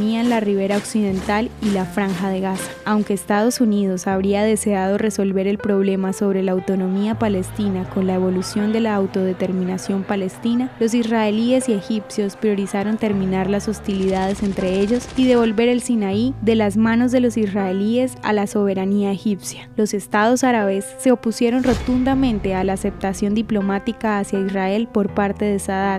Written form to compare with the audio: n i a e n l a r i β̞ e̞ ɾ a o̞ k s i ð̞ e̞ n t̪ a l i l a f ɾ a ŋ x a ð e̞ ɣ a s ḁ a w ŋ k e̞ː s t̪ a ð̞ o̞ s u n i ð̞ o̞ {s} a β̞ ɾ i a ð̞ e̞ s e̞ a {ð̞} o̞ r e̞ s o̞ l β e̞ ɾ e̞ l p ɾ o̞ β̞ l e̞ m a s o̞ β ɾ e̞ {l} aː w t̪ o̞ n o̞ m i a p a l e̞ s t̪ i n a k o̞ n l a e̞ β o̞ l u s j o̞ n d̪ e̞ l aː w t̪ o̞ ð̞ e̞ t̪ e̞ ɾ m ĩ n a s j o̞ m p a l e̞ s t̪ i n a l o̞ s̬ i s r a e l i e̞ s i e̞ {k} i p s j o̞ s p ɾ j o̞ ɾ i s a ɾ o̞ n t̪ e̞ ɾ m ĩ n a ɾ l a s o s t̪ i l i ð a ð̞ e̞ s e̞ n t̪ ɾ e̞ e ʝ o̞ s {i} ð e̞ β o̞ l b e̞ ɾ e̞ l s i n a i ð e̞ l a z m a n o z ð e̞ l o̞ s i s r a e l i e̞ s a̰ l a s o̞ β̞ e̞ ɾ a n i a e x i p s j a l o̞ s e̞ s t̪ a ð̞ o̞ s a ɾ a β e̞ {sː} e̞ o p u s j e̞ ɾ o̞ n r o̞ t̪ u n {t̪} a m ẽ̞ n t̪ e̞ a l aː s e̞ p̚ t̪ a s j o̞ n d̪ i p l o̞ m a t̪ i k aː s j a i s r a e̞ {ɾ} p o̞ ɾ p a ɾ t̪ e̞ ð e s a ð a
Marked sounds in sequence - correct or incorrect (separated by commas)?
correct, correct, correct, incorrect, correct, correct, incorrect, incorrect